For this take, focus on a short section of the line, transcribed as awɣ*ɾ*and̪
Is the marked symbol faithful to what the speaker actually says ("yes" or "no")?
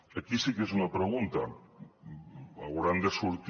yes